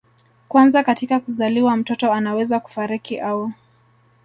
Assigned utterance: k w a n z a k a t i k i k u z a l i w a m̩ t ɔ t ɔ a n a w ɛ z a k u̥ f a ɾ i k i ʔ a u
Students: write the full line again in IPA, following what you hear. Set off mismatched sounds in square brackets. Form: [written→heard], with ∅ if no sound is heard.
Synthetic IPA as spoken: k w a n z a k a t i k [i→a] k u z a l i w a m̩ t ɔ t ɔ a n a w ɛ z a k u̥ f a ɾ i k i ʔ a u